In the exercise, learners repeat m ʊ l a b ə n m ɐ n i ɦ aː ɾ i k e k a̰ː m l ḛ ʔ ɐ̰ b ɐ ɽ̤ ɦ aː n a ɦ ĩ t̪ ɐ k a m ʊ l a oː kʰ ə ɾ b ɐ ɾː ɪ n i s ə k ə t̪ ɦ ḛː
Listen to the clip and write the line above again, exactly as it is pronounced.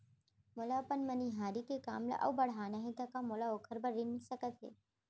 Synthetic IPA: m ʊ l a p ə n m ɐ n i ɦ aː ɾ i k e k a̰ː m l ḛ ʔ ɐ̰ b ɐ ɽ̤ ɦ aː n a ɦ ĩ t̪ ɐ k a m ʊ l a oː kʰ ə ɾ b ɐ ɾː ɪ n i s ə k ə t̪ ɦ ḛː